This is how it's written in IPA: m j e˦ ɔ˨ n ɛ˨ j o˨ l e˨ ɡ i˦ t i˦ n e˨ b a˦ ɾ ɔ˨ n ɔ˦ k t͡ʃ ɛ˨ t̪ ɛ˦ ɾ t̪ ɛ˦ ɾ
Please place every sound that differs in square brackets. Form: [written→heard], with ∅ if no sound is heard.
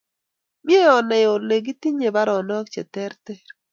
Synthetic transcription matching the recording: m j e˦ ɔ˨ n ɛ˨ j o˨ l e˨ ɡ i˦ t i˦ [n→ɲ] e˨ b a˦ ɾ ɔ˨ n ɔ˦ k t͡ʃ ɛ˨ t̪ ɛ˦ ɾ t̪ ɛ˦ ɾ